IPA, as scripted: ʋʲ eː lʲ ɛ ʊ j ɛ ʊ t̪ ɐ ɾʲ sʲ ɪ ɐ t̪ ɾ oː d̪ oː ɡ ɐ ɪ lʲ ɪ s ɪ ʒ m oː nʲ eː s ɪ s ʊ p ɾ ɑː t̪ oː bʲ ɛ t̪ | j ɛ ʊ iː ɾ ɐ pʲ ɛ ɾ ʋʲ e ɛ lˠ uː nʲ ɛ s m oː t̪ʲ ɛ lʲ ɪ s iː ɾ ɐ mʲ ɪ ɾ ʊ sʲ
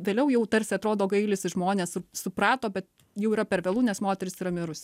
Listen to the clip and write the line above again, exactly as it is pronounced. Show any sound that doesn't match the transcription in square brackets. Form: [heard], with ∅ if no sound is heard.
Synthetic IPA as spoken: ʋʲ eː lʲ ɛ ʊ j ɛ ʊ t̪ ɐ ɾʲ sʲ ɪ ɐ t̪ ɾ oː d̪ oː ɡ ɐ ɪ lʲ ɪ s ɪ ʒ m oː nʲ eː s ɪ s ʊ p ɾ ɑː t̪ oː bʲ ɛ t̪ | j ɛ ʊ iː ɾ ɐ pʲ ɛ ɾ ʋʲ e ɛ lˠ uː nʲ ɛ s m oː t̪ʲ ɛ [ɾʲ] ɪ s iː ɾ ɐ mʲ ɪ ɾ ʊ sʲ

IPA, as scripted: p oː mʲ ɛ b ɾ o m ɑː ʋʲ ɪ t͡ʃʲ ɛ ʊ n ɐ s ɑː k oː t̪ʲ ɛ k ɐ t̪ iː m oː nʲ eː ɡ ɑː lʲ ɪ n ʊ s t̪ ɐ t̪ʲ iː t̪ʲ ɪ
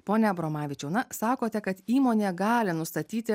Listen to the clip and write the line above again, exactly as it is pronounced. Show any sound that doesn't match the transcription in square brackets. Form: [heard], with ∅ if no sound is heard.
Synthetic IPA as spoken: p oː [nʲ] ɛ b ɾ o m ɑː ʋʲ ɪ t͡ʃʲ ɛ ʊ n ɐ s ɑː k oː t̪ʲ ɛ k ɐ t̪ iː m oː nʲ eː ɡ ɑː lʲ ɪ n ʊ s t̪ ɐ t̪ʲ iː t̪ʲ ɪ

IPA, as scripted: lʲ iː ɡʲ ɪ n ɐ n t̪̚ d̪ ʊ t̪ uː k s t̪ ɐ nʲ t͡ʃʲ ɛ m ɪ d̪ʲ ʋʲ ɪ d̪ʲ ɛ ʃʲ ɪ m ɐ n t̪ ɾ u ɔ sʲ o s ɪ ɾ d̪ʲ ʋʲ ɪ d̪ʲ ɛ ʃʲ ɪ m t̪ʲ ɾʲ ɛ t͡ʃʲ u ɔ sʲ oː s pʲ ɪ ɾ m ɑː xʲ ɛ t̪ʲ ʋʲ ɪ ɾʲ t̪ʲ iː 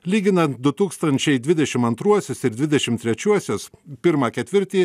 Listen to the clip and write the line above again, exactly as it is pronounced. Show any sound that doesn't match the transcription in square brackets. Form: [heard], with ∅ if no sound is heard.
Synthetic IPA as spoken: lʲ iː ɡʲ ɪ n ɐ n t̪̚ d̪ ʊ t̪ uː k s t̪ ɐ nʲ t͡ʃʲ ɛ [∅] ɪ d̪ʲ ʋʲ ɪ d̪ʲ ɛ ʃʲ ɪ m ɐ n t̪ ɾ u ɔ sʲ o s ɪ ɾ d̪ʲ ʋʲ ɪ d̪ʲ ɛ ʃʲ ɪ m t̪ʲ ɾʲ ɛ t͡ʃʲ u ɔ sʲ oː s pʲ ɪ ɾ m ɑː [kʲ] ɛ t̪ʲ ʋʲ ɪ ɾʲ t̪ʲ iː

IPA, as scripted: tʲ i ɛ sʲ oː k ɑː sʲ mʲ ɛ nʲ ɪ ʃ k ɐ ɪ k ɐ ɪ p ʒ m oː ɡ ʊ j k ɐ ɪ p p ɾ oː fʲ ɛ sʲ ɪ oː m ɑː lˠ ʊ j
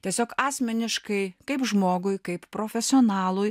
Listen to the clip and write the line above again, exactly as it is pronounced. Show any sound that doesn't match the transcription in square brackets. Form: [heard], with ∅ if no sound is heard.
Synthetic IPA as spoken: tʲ i ɛ sʲ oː k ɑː sʲ mʲ ɛ nʲ ɪ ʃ k ɐ ɪ k ɐ ɪ p ʒ m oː ɡ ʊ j k ɐ ɪ p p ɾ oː fʲ ɛ sʲ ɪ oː [n] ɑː lˠ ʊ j

